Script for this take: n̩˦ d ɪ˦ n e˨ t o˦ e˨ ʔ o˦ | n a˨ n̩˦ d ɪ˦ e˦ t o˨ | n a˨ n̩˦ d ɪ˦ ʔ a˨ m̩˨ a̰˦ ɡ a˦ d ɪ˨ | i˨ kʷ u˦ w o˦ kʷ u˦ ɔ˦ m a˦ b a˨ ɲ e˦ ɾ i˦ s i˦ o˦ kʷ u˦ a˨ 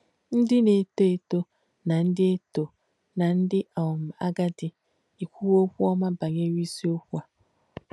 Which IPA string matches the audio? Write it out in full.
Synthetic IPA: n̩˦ d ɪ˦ n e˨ t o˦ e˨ t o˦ | n a˨ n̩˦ d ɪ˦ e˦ t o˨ | n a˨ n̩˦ d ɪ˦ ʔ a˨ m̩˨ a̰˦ ɡ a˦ d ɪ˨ | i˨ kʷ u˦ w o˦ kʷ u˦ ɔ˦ m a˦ b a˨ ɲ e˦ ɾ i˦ s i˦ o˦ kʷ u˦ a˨